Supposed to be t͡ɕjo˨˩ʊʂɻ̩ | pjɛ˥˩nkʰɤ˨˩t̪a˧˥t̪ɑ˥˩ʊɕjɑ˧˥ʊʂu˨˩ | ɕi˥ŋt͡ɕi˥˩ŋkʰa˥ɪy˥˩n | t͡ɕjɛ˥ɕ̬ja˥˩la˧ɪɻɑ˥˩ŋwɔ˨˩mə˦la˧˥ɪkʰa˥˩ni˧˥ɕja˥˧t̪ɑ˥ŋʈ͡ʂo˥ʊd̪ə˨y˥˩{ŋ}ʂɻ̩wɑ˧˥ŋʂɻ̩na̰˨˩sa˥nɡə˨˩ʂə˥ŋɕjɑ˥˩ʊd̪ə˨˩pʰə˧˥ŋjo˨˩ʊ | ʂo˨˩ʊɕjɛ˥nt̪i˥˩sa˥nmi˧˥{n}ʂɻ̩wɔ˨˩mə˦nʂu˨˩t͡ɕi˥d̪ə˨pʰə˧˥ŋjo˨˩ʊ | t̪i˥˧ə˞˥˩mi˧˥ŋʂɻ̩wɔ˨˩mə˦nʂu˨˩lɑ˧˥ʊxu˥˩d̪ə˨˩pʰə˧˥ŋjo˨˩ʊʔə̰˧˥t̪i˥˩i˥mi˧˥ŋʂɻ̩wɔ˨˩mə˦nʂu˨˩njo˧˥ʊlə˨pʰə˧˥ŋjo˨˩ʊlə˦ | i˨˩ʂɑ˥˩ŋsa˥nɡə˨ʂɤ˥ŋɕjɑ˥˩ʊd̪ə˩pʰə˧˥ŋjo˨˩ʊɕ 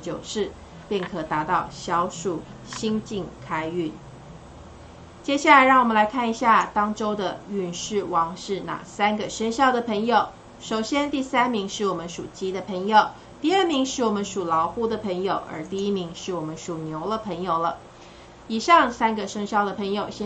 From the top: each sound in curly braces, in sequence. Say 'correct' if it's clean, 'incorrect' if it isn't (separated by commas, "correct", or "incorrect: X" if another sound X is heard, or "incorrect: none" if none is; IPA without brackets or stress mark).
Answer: incorrect: n, incorrect: ŋ